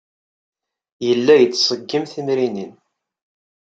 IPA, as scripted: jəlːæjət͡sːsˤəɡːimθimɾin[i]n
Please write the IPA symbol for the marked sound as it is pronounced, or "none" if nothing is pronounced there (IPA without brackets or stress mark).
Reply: i